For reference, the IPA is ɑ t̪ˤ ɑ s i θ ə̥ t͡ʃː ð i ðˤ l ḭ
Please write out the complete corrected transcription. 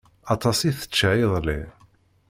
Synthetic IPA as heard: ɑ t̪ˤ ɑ s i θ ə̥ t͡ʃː ʕ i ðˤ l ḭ